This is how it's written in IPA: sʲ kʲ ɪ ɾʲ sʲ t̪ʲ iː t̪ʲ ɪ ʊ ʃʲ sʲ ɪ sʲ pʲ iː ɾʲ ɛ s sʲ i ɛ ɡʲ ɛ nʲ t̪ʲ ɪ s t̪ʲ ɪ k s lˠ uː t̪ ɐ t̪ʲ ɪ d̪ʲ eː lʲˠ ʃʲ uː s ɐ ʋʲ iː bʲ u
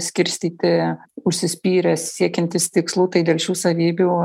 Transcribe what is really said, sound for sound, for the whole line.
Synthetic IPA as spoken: sʲ kʲ ɪ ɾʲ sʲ t̪ʲ iː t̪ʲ ɪ ʊ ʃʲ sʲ ɪ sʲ pʲ iː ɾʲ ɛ s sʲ i ɛ kʲ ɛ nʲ t̪ʲ ɪ s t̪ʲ ɪ k s lˠ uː t̪ ɐ ɪ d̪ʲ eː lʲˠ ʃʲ uː s ɐ ʋʲ iː bʲ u

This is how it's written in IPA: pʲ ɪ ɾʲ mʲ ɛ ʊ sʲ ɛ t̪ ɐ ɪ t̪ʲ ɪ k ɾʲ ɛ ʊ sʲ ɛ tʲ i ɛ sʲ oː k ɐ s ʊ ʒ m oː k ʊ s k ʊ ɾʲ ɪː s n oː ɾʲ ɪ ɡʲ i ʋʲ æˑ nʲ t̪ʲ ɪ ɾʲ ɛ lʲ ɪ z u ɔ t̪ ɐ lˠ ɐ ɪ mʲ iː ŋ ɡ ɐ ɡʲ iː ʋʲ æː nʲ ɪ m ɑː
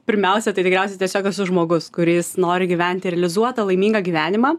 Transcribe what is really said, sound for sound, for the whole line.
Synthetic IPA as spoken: pʲ ɪ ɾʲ mʲ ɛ ʊ sʲ ɛ t̪ ɐ ɪ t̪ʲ ɪ k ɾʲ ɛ ʊ sʲ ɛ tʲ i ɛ sʲ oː k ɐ s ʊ ʒ m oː ɡ ʊ s k ʊ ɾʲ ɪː s n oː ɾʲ ɪ ɡʲ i ʋʲ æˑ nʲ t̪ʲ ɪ ɾʲ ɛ lʲ ɪ z u ɔ t̪ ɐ lˠ ɐ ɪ mʲ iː ŋ ɡ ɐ ɡʲ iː ʋʲ æː nʲ ɪ m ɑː

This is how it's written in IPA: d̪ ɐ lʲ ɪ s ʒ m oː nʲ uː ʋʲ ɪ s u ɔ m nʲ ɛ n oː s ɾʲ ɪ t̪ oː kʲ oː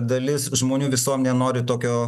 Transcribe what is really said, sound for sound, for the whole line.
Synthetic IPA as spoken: d̪ ɐ lʲ ɪ s ʒ m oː nʲ uː ʋʲ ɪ s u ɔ m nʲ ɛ n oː ɾʲ ɪ t̪ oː kʲ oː

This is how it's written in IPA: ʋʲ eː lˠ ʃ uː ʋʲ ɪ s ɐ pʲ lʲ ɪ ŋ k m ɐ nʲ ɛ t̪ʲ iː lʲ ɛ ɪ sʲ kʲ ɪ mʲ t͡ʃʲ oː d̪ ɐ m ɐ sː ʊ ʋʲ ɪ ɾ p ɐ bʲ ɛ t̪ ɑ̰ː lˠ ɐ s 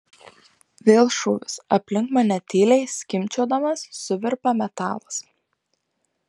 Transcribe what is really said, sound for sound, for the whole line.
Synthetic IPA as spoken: ʋʲ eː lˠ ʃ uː ʋʲ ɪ s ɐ pʲ lʲ ɪ ŋ k m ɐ nʲ ɛ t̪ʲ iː lʲ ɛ ɪ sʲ kʲ ɪ mʲ t͡ʃʲ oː d̪ ɐ m ɐ sː ʊ ʋʲ ɪ ɾ p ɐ mʲ ɛ t̪ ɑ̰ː lˠ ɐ s

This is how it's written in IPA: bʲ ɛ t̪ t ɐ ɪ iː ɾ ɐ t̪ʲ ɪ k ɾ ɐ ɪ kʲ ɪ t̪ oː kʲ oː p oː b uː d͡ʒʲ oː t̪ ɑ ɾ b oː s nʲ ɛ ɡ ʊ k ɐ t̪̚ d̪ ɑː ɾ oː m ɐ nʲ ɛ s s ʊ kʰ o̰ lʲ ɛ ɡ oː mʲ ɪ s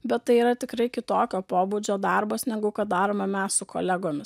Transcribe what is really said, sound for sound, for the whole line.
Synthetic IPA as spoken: bʲ ɛ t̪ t ɐ ɪ iː ɾ ɐ t̪ʲ ɪ k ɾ ɐ ɪ kʲ ɪ t̪ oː kʲ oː p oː b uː d͡ʒʲ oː d̪ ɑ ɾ b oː s nʲ ɛ ɡ ʊ k ɐ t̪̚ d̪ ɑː ɾ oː m ɐ mʲ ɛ s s ʊ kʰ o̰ lʲ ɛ ɡ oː mʲ ɪ s

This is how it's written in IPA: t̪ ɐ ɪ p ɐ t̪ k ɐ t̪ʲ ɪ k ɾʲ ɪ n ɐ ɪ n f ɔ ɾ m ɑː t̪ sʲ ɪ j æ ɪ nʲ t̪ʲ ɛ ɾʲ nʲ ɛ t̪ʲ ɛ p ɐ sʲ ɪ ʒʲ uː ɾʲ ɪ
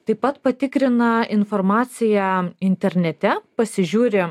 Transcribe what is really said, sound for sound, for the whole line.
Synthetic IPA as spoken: t̪ ɐ ɪ p ɐ t̪ p ɐ t̪ʲ ɪ k ɾʲ ɪ n ɐ ɪ n f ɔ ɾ m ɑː t̪ sʲ ɪ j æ ɪ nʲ t̪ʲ ɛ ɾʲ nʲ ɛ t̪ʲ ɛ p ɐ sʲ ɪ ʒʲ uː ɾʲ ɪ

